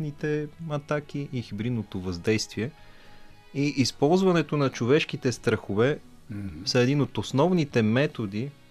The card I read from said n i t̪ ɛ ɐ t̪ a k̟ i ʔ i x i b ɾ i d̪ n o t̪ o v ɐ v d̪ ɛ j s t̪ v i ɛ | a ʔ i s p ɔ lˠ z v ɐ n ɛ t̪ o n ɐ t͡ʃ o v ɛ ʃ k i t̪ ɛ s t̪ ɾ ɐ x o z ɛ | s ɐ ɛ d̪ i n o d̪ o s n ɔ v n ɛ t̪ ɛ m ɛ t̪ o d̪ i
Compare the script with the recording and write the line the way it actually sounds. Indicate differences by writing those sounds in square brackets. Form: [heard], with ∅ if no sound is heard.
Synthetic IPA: n i t̪ ɛ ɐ t̪ a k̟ i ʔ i x i b ɾ i d̪ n o t̪ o v ɐ [z] d̪ ɛ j s t̪ v i ɛ | [i] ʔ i s p ɔ lˠ z v ɐ n ɛ t̪ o n ɐ t͡ʃ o v ɛ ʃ k i t̪ ɛ s t̪ ɾ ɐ x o [v] ɛ | s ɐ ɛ d̪ i n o [t̪] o s n ɔ v n [i] t̪ ɛ m ɛ t̪ o d̪ i